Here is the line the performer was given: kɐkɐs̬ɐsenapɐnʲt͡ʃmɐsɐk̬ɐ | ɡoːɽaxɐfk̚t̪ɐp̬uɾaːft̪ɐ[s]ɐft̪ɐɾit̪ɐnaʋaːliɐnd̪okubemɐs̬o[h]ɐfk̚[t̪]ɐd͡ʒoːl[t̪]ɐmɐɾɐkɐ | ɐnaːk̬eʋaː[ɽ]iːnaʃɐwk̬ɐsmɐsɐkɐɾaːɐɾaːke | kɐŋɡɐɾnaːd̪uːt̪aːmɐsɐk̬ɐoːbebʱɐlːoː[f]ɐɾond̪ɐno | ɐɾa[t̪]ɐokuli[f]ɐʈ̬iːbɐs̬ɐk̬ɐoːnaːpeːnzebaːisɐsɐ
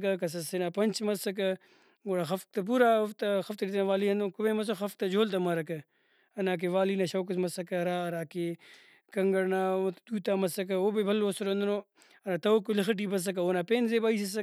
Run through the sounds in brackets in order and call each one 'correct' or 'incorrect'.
incorrect: x, incorrect: x, correct, correct, incorrect: l, incorrect: s, correct, incorrect: x

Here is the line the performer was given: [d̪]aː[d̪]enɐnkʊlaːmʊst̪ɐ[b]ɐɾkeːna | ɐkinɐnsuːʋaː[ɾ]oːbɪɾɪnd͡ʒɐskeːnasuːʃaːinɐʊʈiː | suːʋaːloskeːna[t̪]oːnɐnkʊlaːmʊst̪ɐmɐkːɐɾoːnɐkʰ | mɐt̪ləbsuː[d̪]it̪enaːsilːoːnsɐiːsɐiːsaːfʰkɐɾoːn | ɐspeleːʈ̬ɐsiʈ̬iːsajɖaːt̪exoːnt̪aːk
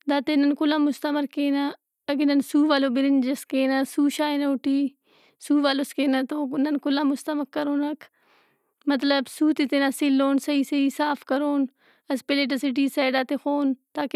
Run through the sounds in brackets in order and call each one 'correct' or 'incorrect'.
correct, incorrect: t̪, incorrect: m, incorrect: l, correct, incorrect: t̪

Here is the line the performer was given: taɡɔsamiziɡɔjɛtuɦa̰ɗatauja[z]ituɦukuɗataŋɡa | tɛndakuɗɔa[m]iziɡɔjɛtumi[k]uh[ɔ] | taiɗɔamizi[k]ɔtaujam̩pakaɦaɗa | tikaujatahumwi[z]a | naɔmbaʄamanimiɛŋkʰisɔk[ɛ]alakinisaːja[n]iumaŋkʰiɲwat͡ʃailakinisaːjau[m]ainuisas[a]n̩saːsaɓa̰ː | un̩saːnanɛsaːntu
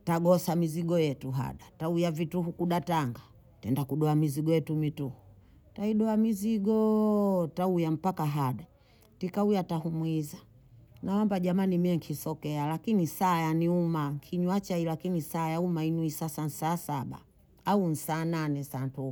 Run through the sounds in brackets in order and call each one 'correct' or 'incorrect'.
incorrect: v, correct, incorrect: t, incorrect: u, incorrect: ɡ, correct, correct, correct, correct, correct

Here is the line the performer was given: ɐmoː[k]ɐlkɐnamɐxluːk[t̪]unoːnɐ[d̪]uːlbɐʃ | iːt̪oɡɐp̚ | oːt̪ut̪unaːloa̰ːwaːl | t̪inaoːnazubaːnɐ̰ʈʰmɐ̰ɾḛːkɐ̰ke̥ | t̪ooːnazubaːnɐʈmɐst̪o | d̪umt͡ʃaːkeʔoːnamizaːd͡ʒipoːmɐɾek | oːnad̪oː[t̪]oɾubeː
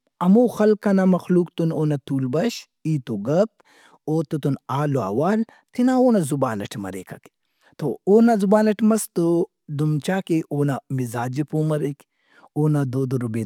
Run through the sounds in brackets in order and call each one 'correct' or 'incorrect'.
incorrect: x, correct, incorrect: t̪, incorrect: d̪

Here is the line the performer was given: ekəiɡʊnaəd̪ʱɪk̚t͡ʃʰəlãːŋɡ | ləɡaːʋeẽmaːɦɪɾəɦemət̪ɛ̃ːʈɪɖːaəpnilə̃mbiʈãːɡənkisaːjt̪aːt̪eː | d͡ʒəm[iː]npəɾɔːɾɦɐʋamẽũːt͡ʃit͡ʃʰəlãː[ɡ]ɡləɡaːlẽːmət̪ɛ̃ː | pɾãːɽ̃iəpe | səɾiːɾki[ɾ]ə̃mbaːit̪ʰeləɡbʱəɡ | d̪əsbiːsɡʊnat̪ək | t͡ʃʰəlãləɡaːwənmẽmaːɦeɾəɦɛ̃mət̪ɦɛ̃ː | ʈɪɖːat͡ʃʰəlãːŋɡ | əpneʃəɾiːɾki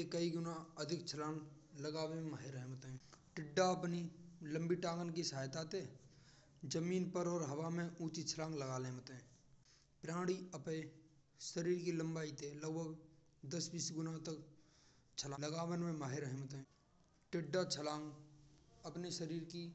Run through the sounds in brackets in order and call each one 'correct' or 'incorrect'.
correct, incorrect: ŋ, incorrect: l

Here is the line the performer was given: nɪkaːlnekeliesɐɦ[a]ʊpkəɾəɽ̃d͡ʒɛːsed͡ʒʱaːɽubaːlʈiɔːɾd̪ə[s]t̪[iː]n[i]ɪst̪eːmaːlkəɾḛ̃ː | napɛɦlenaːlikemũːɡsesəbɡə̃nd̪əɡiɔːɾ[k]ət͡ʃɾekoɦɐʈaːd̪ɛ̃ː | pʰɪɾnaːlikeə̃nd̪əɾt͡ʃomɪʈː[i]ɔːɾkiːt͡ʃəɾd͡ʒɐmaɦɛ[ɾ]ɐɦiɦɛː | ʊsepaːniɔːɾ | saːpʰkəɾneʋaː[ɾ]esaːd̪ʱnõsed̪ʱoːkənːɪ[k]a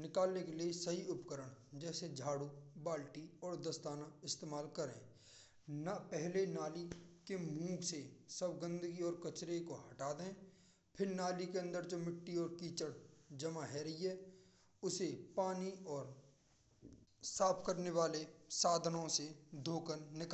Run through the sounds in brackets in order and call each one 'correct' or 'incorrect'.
incorrect: i, correct, incorrect: aː, incorrect: a, correct, correct, correct, incorrect: l, correct

